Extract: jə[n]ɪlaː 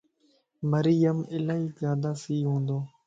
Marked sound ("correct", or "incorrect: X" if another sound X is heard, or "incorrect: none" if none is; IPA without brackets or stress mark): incorrect: m